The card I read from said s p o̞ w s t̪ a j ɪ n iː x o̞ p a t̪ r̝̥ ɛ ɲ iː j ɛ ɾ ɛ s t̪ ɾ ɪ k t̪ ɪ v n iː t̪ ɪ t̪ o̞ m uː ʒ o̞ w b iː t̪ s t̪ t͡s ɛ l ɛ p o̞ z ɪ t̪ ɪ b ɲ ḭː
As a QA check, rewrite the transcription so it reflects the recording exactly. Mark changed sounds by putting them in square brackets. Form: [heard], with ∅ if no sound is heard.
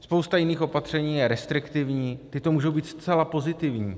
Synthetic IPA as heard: s p o̞ w s t̪ a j ɪ n iː x o̞ p a t̪ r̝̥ ɛ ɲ iː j ɛ ɾ ɛ s t̪ ɾ ɪ k t̪ ɪ v [ɲ] iː t̪ ɪ t̪ o̞ m uː ʒ o̞ w b iː t̪ s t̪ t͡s ɛ l [a] p o̞ z ɪ t̪ ɪ [v] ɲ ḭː